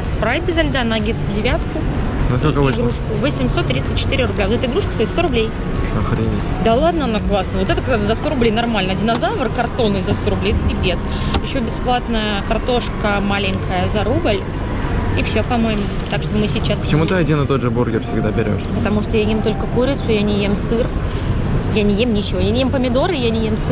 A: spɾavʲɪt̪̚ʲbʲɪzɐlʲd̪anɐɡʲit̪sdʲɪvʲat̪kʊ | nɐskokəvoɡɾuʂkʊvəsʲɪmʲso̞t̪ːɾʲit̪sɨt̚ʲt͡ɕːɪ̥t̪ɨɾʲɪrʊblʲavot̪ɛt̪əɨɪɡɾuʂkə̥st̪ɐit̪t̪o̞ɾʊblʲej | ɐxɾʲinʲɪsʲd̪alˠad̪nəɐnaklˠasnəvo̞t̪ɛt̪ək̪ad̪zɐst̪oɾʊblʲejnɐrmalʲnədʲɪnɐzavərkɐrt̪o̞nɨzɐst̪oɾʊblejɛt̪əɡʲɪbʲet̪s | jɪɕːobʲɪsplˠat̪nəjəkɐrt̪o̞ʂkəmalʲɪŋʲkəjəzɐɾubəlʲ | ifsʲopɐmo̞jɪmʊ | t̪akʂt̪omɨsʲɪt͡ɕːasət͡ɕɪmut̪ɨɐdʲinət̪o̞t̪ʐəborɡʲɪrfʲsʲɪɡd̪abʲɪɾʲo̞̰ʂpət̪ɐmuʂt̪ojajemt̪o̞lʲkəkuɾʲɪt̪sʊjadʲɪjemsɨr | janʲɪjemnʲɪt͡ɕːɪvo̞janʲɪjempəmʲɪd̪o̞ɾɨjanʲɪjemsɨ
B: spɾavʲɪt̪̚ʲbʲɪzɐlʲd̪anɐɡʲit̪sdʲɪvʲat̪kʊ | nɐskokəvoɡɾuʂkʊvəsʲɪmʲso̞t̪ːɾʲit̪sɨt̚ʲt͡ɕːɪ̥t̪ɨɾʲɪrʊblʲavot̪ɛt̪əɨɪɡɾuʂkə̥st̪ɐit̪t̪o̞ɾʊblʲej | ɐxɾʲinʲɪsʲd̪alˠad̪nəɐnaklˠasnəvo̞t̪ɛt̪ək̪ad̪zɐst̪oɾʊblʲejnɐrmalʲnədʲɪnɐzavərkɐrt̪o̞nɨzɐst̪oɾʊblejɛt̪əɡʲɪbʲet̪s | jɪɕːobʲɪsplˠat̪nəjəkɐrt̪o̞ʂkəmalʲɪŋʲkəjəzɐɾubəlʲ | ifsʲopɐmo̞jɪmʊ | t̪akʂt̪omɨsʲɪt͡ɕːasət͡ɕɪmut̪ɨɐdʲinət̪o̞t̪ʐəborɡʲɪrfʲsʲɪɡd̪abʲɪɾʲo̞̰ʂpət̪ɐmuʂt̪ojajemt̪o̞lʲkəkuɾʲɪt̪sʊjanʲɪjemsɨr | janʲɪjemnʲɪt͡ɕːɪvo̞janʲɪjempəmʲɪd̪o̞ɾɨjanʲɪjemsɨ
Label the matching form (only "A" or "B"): B